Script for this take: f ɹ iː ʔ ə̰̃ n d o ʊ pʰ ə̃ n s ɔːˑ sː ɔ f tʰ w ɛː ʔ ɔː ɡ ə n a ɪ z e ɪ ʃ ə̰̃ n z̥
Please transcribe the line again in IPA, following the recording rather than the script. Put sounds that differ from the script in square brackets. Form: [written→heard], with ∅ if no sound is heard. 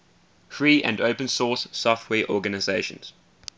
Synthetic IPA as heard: f ɹ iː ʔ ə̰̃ n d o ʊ [pʰ→p] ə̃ n s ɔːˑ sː ɔ f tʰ w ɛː ʔ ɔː ɡ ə n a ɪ z e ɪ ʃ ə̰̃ n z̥